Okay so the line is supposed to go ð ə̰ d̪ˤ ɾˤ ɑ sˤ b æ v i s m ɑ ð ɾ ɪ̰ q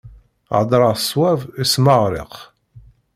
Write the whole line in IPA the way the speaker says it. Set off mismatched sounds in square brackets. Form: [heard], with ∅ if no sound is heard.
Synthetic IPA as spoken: [ʕ] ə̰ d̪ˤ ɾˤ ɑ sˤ [w] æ v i s m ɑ [ʁ] ɾ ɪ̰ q